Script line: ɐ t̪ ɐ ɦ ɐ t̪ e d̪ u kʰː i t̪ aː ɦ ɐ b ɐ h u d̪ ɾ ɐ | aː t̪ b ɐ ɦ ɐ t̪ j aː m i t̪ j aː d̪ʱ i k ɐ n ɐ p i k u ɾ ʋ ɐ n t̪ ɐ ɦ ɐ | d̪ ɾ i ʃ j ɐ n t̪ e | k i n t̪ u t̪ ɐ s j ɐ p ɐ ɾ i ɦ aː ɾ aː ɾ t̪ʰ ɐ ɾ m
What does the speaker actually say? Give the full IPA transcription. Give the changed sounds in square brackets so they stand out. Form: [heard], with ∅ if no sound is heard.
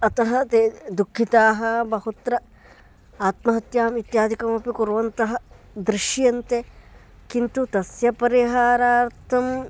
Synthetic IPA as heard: ɐ t̪ ɐ ɦ ɐ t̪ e d̪ u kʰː i t̪ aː ɦ ɐ b ɐ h u [t̪] ɾ ɐ | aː t̪ [m] ɐ ɦ ɐ t̪ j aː m i t̪ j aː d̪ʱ i k ɐ [m] ɐ p i k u ɾ ʋ ɐ n t̪ ɐ ɦ ɐ | d̪ ɾ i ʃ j ɐ n t̪ e | k i n t̪ u t̪ ɐ s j ɐ p ɐ ɾ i ɦ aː ɾ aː ɾ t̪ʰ ɐ [∅] m

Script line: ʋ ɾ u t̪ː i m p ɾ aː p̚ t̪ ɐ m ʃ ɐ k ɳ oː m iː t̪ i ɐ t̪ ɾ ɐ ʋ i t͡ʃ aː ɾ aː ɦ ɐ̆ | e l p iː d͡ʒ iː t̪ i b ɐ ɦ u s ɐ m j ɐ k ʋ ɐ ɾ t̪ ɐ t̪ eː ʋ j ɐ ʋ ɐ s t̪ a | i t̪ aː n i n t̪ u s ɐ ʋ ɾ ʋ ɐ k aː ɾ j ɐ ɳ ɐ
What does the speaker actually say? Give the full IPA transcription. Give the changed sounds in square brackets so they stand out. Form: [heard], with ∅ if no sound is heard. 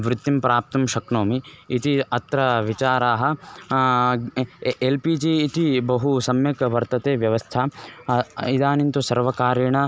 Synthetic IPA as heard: ʋ ɾ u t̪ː i m p ɾ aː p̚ t̪ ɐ m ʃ ɐ k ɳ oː m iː t̪ i ɐ t̪ ɾ ɐ ʋ i t͡ʃ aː ɾ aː ɦ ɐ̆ | e l p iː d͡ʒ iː t̪ i b ɐ ɦ u s ɐ m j ɐ k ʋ ɐ ɾ t̪ ɐ t̪ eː ʋ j ɐ ʋ ɐ s [t̪ʰ] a | i [d̪] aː n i n t̪ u s ɐ [∅] ɾ ʋ ɐ k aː ɾ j ɐ ɳ ɐ

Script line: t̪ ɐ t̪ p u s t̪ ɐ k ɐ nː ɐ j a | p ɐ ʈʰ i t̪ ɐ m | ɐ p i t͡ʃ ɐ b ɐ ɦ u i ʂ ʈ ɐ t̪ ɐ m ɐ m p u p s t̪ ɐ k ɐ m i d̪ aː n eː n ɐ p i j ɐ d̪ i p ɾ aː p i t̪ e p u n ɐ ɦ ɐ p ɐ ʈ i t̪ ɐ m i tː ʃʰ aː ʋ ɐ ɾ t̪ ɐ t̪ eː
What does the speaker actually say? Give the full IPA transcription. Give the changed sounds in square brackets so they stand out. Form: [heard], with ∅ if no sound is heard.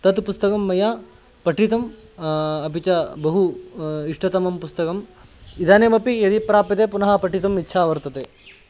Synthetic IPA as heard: t̪ ɐ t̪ p u s t̪ ɐ k ɐ [mː] ɐ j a | p ɐ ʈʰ i t̪ ɐ m | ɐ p i t͡ʃ ɐ b ɐ ɦ u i ʂ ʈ ɐ t̪ ɐ m ɐ m p u [∅] s t̪ ɐ k ɐ m i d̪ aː n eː [m] ɐ p i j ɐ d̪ i p ɾ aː p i t̪ e p u n ɐ ɦ ɐ p ɐ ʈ i t̪ ɐ m i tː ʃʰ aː ʋ ɐ ɾ t̪ ɐ t̪ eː

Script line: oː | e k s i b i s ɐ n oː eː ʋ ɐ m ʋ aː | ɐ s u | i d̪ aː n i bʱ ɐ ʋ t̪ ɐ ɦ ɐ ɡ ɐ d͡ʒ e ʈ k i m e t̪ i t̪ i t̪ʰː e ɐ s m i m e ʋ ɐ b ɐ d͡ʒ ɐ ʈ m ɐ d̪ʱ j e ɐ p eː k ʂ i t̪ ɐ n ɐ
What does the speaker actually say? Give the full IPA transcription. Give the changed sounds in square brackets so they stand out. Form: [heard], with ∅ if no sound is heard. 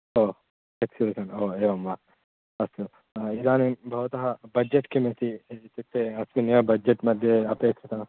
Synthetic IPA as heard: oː | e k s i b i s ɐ n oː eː ʋ ɐ m ʋ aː | ɐ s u | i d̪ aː n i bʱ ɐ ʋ t̪ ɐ ɦ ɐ [b] ɐ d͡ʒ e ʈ k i m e t̪ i t̪ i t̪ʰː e ɐ s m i [n] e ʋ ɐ b ɐ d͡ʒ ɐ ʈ m ɐ d̪ʱ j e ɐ p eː k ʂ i t̪ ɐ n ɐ

